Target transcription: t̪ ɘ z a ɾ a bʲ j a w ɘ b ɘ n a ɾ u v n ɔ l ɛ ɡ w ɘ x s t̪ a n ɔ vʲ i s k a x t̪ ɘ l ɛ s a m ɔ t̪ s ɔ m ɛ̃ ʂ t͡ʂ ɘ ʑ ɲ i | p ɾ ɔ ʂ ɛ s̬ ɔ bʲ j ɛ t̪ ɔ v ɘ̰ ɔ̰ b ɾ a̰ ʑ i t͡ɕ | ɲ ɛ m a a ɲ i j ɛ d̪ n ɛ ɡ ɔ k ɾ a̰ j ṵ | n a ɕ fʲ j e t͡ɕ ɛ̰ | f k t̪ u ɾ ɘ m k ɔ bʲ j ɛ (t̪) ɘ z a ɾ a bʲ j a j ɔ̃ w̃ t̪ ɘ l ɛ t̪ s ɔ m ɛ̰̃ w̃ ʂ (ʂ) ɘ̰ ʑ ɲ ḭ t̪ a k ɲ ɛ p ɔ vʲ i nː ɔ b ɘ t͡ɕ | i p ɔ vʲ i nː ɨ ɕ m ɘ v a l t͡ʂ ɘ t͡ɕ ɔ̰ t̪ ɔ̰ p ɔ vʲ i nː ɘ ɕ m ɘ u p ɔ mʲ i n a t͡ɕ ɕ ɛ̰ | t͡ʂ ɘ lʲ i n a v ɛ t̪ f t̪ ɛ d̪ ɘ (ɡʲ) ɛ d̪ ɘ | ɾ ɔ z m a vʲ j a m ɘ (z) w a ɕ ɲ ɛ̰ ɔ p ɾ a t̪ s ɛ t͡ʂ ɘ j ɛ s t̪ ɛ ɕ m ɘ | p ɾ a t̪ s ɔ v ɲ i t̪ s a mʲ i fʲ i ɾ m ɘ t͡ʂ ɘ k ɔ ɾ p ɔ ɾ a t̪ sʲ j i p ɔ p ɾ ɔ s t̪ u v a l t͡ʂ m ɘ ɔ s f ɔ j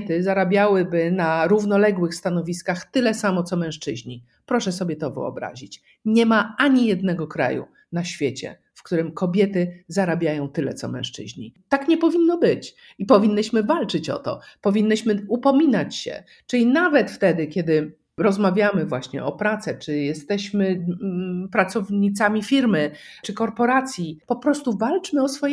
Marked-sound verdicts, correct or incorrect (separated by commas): correct, incorrect, incorrect, incorrect